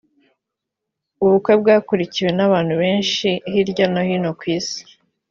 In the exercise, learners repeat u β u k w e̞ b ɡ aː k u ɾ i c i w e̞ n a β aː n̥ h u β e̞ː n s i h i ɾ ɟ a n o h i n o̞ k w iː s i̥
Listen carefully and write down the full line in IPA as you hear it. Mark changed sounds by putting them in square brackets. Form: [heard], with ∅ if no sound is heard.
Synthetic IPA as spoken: u β u k w e̞ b ɡ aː k u ɾ i c i w e̞ n a β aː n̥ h u β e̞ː n [ʃ] i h i ɾ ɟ a n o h i n o̞ k w iː s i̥